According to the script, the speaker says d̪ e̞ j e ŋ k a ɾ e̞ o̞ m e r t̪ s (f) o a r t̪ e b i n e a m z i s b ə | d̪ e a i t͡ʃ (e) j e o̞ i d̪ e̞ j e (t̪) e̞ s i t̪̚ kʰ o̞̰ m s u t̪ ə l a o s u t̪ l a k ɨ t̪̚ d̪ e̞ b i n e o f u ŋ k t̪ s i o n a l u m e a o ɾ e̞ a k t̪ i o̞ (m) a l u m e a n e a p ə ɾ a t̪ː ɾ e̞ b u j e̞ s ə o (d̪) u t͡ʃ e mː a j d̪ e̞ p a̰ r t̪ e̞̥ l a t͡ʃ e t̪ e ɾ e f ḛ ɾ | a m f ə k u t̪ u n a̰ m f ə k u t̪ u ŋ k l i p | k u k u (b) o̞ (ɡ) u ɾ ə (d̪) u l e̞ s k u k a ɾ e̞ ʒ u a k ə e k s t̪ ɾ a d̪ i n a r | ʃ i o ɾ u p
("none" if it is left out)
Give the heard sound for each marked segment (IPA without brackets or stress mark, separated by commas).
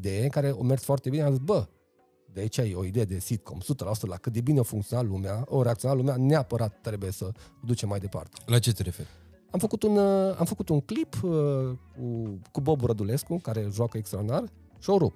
f, a, d̪, n, d̪, b, b, d̪